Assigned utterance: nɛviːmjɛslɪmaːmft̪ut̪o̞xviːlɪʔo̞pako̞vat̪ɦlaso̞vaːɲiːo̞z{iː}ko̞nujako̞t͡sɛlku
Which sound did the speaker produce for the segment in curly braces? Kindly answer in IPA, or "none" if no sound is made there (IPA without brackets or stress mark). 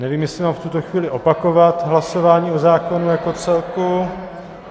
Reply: aː